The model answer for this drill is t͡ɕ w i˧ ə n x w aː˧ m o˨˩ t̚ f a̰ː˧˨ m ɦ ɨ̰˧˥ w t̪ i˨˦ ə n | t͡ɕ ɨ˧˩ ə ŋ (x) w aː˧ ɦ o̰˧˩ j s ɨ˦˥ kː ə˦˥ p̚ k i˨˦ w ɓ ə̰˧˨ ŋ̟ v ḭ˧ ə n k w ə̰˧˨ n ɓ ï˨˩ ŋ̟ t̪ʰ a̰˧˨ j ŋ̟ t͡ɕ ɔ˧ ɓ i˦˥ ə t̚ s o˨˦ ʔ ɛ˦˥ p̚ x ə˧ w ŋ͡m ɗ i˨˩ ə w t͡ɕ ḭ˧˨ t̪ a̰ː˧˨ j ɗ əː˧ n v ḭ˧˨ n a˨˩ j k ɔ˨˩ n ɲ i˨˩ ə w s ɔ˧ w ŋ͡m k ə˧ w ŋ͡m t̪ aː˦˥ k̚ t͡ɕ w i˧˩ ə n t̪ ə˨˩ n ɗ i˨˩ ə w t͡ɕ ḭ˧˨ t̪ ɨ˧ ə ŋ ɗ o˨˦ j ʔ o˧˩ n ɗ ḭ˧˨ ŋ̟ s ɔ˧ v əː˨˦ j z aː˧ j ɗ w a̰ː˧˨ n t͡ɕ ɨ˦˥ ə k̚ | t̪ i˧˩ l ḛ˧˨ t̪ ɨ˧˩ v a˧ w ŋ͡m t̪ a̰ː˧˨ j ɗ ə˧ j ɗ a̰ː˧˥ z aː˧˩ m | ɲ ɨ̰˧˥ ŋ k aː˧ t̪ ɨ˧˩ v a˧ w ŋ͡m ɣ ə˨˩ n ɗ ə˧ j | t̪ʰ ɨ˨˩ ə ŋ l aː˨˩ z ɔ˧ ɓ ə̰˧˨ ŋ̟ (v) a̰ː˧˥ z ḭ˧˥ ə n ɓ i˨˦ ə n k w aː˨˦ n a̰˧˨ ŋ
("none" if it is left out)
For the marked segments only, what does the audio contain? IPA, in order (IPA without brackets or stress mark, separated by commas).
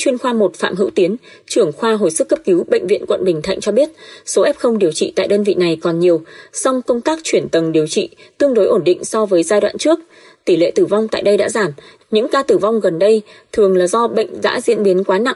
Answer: x, z